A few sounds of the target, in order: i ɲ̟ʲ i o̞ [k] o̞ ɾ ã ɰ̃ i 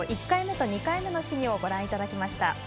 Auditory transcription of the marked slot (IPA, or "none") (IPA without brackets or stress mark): ɡ